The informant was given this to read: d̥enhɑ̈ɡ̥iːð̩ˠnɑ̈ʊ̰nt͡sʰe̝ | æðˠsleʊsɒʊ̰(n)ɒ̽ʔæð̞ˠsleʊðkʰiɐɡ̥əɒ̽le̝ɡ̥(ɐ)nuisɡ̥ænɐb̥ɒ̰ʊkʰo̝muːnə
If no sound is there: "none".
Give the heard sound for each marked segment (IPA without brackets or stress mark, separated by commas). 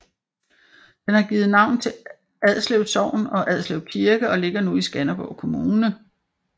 n, ɐ